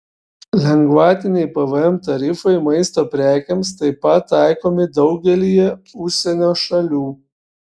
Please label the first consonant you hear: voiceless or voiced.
voiced